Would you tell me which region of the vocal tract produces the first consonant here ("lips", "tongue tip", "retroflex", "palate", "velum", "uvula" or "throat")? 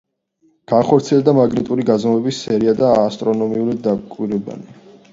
velum